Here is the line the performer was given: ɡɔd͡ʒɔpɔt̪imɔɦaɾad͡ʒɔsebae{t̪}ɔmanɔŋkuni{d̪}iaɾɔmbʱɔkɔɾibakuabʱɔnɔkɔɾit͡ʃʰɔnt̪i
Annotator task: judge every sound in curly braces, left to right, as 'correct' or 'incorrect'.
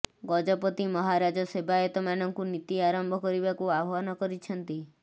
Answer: correct, incorrect: t̪

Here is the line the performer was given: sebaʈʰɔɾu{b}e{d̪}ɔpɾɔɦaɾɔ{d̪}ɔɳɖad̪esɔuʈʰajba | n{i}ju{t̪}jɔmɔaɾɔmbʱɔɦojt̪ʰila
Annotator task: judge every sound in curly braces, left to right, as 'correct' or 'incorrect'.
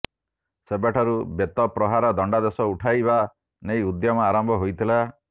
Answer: correct, incorrect: t̪, correct, incorrect: e, incorrect: d̪

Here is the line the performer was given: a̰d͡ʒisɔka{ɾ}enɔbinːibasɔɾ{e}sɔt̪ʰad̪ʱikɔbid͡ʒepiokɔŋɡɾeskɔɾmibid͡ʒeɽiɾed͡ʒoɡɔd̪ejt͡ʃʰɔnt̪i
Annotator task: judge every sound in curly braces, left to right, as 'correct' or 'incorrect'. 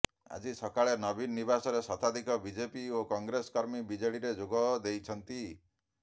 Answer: incorrect: ɭ, correct

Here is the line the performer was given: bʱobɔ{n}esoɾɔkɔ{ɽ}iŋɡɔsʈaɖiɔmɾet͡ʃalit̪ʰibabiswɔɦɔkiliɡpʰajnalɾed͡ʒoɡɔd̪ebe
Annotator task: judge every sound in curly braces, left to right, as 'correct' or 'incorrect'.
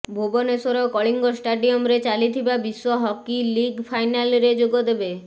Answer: correct, incorrect: ɭ

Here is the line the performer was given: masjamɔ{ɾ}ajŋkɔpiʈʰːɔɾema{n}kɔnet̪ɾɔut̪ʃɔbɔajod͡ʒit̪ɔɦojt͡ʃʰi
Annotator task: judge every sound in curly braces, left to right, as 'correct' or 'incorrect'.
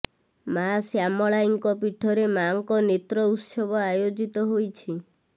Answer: incorrect: ɭ, incorrect: ŋ

